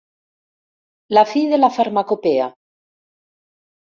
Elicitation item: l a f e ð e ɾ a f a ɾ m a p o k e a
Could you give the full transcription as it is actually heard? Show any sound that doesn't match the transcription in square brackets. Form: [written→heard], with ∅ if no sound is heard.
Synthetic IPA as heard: l a f [e→i] ð e [ɾ→l] a f a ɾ m a [p→k] o [k→p] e a